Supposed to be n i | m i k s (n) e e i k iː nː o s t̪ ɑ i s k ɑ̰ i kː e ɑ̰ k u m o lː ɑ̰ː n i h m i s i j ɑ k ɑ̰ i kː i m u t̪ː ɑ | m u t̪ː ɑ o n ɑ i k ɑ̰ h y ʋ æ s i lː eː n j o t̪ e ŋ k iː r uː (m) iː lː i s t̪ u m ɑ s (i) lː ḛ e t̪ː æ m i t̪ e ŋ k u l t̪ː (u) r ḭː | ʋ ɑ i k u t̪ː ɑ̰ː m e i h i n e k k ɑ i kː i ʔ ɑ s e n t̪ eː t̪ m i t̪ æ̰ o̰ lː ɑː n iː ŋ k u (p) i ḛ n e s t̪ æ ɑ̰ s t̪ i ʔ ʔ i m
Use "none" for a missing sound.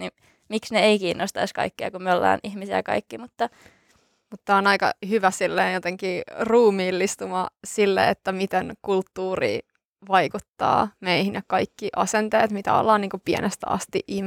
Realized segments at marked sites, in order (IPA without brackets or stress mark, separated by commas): n, m, i, uː, p